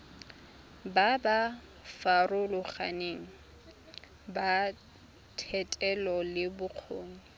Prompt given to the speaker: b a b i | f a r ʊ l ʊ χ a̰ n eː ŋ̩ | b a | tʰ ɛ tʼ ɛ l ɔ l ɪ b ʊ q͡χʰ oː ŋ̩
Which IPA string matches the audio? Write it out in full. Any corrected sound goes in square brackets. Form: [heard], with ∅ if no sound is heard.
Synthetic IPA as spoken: b a b [a] | f a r ʊ l ʊ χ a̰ n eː ŋ̩ | b a | tʰ ɛ tʼ ɛ l ɔ l ɪ b ʊ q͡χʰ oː ŋ̩